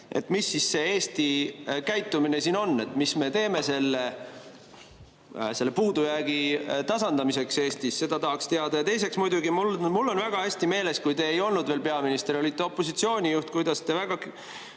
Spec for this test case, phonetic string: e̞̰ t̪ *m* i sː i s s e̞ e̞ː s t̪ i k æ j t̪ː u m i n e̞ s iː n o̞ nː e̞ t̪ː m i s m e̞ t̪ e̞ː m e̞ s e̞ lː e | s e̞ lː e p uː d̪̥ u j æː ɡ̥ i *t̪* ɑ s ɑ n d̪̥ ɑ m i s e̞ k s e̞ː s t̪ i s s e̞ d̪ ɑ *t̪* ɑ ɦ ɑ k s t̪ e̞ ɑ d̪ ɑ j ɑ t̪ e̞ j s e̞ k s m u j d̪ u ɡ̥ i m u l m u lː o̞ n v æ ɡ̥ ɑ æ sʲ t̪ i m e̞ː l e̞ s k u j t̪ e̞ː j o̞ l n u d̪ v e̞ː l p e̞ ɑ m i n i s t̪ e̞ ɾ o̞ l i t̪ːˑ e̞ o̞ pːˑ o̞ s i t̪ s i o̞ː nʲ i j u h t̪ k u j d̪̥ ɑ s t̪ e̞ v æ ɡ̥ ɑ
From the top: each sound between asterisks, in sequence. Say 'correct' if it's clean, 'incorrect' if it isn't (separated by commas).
correct, correct, correct